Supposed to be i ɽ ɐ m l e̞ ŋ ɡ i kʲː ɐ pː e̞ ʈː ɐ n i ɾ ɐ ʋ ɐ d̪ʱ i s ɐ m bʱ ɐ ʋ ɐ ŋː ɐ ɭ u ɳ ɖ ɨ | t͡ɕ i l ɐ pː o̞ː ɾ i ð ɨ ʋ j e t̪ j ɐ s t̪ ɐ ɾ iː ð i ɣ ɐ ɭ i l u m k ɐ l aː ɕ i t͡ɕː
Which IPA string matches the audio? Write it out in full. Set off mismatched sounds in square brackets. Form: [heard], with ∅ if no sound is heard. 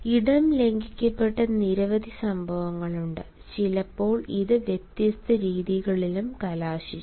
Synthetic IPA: i ɽ ɐ m l e̞ ŋ ɡ i kʲː ɐ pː e̞ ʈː ɐ n i ɾ ɐ ʋ ɐ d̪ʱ i s ɐ m bʱ ɐ ʋ ɐ ŋː ɐ ɭ u ɳ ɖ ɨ | t͡ɕ i l ɐ pː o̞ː [ɭ] i ð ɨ ʋ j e t̪ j ɐ s t̪ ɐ ɾ iː ð i ɣ ɐ ɭ i l u m k ɐ l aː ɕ i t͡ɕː